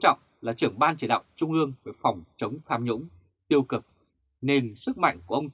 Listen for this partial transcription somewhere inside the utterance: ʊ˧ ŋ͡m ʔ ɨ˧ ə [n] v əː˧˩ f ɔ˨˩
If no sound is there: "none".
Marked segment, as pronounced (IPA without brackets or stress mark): ŋ